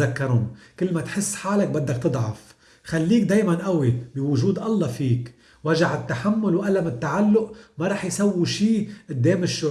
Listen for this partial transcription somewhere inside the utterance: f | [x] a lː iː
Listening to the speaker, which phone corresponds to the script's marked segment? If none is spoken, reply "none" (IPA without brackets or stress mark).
x